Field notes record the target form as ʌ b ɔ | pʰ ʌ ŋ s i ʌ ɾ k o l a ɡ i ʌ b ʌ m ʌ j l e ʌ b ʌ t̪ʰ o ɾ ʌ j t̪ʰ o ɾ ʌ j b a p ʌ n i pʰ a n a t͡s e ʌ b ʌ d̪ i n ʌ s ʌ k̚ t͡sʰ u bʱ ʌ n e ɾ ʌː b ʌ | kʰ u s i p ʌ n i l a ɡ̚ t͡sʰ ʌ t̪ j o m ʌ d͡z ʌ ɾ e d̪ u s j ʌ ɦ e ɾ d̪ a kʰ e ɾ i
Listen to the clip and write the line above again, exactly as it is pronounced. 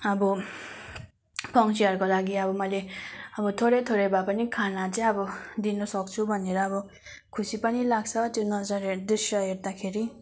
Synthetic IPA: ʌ b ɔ | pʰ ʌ ŋ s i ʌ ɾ k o l a ɡ i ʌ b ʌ m ʌ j l e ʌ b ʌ t̪ʰ o ɾ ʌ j t̪ʰ o ɾ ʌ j b a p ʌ n i kʰ a n a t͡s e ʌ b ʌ d̪ i n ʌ s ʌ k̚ t͡sʰ u bʱ ʌ n e ɾ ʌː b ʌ | kʰ u s i p ʌ n i l a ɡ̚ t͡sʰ ʌ t̪ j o n ʌ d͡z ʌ ɾ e d̪ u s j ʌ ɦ e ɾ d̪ a kʰ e ɾ i